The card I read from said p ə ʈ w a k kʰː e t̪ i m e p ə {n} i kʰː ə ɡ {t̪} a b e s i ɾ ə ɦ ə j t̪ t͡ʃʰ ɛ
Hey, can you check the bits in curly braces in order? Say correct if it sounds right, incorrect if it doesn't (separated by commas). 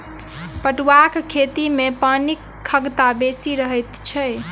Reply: correct, correct